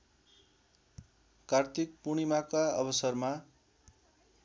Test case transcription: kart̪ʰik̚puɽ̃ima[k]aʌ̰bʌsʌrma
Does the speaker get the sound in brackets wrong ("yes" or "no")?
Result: no